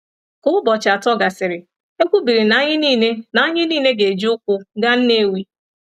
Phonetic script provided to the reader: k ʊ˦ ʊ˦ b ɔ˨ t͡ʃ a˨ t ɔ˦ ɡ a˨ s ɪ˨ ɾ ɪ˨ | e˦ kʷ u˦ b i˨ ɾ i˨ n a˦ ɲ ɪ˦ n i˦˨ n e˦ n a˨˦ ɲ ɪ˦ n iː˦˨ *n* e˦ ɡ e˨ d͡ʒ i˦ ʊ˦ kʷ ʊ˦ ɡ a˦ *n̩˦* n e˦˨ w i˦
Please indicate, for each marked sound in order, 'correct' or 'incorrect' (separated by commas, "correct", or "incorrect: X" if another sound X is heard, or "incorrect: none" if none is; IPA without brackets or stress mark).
correct, correct